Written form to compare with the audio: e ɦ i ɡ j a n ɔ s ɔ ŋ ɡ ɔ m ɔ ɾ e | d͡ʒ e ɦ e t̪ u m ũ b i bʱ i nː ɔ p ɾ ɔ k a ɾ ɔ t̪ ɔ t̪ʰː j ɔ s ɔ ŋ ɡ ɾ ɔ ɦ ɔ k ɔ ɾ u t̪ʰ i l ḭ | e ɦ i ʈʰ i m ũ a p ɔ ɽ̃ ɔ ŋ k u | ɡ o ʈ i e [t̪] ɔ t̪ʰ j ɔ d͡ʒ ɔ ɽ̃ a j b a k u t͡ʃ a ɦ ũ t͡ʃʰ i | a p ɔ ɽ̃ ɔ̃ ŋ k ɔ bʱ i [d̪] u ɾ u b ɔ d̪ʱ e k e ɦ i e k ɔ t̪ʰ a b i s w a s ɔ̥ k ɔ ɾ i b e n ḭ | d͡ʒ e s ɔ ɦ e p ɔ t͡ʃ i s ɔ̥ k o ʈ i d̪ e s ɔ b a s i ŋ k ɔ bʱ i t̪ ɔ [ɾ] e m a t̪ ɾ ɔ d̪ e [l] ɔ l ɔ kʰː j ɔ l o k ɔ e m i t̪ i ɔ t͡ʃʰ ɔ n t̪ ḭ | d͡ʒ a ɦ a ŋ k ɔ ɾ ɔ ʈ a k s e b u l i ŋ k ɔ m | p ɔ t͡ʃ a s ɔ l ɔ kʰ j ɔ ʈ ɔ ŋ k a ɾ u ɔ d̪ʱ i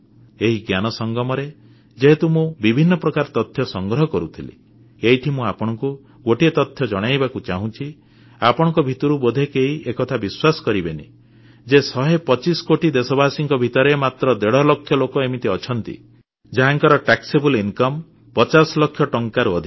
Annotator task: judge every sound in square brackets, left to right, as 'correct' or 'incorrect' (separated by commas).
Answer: correct, incorrect, correct, incorrect